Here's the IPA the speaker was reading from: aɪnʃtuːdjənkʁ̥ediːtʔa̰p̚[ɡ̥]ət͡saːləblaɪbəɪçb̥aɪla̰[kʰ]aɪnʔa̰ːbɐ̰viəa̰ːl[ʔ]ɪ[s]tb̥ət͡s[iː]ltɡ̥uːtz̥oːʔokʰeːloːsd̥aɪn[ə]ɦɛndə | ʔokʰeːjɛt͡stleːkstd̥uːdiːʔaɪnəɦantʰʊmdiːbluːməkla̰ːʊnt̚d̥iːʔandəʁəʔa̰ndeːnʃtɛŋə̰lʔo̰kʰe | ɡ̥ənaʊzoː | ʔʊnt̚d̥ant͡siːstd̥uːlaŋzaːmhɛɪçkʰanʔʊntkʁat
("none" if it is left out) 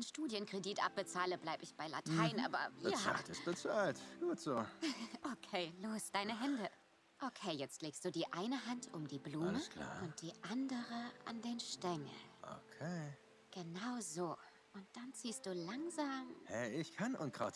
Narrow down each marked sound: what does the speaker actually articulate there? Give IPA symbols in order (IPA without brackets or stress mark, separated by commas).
b̥, tʰ, t, s, aː, ə